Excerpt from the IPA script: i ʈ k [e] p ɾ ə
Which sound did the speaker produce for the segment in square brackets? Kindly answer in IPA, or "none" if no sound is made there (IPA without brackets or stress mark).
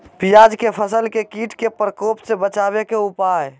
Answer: e